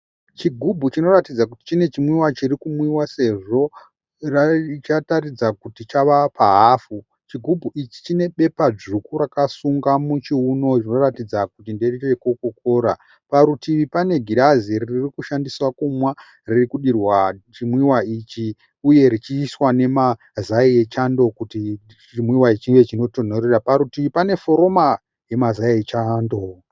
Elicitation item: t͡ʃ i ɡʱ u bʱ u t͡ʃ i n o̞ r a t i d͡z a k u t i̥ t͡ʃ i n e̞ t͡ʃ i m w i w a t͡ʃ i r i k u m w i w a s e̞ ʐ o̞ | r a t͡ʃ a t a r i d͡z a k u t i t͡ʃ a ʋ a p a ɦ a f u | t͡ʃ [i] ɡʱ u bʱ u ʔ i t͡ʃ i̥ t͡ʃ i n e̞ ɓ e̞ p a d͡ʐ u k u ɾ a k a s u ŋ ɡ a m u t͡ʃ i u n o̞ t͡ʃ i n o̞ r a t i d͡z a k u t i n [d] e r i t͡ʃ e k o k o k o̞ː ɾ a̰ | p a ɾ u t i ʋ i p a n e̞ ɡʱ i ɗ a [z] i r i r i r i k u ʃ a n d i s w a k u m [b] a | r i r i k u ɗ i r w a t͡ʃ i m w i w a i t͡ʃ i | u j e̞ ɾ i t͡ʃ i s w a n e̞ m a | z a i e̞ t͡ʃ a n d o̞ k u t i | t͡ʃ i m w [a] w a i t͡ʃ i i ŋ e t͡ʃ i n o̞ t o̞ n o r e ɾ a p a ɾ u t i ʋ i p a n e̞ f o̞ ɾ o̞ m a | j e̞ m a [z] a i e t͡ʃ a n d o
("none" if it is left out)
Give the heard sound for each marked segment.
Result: i, d, z, w, i, z

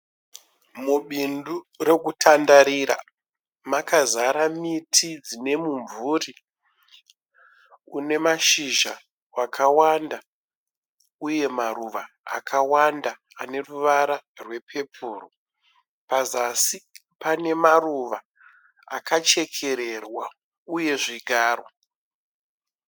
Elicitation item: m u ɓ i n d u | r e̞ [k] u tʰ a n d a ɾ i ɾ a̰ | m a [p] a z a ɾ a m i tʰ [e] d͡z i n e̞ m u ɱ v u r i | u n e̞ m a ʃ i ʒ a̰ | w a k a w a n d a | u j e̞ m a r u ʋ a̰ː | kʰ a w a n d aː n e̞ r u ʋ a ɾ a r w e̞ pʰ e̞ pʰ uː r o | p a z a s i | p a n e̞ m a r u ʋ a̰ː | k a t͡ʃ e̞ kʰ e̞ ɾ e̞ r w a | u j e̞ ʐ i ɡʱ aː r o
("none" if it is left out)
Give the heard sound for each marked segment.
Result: k, k, i

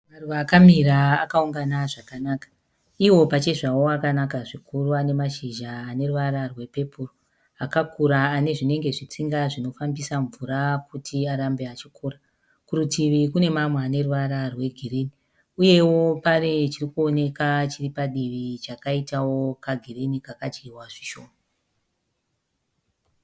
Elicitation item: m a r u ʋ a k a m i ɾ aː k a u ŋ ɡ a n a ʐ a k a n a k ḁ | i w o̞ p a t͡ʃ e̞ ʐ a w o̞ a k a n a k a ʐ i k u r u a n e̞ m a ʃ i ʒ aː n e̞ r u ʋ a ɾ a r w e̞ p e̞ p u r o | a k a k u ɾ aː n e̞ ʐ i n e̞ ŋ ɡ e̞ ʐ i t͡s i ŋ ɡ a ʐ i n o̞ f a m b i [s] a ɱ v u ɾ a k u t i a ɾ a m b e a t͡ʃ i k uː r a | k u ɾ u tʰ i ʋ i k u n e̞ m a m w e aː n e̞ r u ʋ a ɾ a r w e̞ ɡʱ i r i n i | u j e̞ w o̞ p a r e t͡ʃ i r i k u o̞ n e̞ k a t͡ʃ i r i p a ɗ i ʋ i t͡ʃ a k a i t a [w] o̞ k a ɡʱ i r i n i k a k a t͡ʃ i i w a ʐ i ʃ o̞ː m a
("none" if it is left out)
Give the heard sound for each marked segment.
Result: s, w

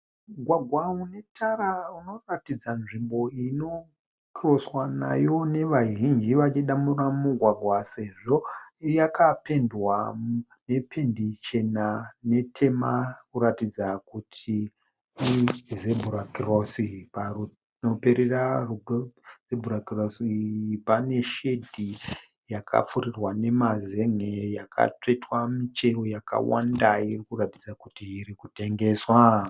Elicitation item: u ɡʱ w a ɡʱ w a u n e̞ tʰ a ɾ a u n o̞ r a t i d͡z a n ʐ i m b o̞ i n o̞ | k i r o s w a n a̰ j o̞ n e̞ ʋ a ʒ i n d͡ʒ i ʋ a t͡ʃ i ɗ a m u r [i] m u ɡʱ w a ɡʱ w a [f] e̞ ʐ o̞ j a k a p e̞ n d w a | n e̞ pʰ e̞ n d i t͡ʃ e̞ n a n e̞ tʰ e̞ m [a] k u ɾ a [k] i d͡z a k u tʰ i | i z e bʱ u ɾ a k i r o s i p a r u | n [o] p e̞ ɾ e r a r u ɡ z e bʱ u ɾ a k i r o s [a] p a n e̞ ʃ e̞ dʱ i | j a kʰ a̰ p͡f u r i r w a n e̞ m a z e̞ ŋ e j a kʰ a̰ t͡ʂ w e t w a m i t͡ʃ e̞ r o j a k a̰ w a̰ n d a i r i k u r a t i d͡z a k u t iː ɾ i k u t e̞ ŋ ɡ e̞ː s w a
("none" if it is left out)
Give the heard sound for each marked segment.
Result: a, s, a, t, o, i

